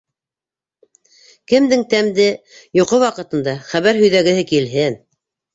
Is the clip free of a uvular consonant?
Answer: no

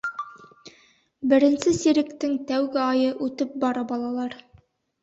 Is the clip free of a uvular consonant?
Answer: yes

